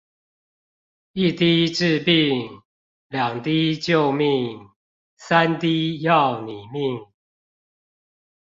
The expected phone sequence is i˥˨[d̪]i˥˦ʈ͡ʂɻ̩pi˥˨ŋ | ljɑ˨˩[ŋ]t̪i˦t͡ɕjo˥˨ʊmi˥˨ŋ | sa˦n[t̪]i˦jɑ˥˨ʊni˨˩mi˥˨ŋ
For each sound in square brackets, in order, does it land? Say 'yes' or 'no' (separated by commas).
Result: no, yes, yes